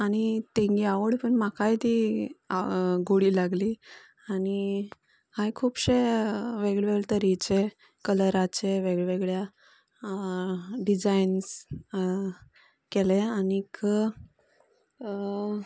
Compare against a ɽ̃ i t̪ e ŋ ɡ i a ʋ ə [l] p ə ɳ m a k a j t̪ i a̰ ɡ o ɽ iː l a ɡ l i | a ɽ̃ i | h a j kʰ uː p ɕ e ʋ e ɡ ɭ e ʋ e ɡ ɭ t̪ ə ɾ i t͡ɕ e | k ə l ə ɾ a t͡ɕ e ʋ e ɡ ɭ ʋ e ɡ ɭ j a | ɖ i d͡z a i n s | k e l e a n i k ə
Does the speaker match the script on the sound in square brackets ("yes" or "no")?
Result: no